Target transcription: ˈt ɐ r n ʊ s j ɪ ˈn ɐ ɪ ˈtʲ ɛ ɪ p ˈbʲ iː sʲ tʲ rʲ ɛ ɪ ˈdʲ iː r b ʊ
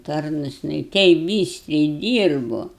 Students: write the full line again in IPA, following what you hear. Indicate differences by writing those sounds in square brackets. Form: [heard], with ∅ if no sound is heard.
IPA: ˈt ɐ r n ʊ s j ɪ ˈn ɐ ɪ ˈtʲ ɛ ɪ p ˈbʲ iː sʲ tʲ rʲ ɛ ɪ ˈdʲ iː r b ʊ